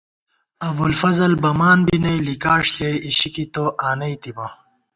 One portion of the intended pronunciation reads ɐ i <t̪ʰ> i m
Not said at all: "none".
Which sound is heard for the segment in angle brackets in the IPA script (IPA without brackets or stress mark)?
t̪